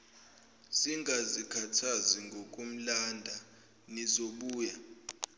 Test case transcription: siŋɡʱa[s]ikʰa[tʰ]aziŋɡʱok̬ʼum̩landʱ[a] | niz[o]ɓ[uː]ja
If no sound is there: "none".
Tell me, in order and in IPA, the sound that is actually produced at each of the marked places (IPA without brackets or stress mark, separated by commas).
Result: z, tʰ, a, o, uː